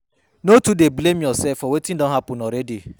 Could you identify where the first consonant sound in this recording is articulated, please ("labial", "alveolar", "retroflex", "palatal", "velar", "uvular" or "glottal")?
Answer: alveolar